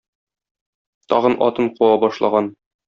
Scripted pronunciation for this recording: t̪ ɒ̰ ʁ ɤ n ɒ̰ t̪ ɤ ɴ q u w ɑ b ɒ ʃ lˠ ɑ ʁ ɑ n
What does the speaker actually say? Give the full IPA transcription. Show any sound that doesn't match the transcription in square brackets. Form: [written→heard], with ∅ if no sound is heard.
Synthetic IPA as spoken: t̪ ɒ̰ ʁ ɤ n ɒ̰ t̪ ɤ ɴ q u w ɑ b ɒ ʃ lˠ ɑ ʁ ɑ n